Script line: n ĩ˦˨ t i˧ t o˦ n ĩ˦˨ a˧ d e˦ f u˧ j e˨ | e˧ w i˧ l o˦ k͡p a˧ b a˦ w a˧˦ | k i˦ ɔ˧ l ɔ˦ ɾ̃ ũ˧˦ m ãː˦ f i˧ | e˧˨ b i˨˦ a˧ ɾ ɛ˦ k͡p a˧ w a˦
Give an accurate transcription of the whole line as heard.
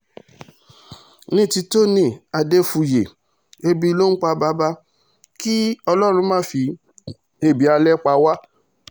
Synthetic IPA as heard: n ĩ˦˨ t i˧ t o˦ n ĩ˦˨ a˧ d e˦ f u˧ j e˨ | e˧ b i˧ l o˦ k͡p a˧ b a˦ b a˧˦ | k i˦ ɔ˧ l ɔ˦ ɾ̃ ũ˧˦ m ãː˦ f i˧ | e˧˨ b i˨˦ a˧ l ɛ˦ k͡p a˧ w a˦